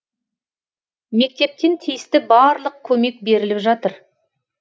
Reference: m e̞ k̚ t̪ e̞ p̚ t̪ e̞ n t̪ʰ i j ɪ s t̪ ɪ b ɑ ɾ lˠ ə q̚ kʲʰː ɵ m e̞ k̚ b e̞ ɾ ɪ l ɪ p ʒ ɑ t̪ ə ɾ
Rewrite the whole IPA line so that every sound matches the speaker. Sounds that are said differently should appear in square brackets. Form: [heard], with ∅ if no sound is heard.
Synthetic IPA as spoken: m e̞ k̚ t̪ e̞ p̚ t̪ e̞ n t̪ʰ i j ɪ s t̪ ɪ b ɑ ɾ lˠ ə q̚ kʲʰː ɵ m e̞ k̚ b e̞ ɾ ɪ l ɪ p ʒ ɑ t̪ ə ɾ